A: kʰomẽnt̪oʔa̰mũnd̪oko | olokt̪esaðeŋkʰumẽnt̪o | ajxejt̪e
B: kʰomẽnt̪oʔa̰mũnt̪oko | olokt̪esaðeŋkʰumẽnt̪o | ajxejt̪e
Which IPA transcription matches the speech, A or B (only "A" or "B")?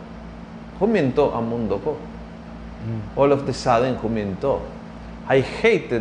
A